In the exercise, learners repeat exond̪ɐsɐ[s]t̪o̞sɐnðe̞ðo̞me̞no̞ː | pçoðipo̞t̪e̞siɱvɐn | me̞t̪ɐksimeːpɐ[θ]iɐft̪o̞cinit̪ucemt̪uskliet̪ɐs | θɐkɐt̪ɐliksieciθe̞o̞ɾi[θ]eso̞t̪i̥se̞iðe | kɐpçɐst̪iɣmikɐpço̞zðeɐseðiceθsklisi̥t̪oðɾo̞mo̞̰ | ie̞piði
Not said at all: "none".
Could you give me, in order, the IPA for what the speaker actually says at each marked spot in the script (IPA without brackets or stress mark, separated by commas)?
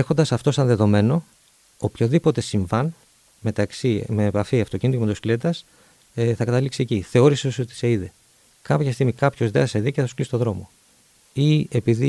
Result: f, f, s